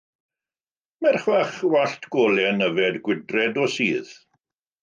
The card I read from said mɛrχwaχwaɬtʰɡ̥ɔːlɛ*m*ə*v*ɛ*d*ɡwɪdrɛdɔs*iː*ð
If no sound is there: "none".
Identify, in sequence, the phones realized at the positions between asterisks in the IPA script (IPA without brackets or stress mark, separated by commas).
n, v, d, iː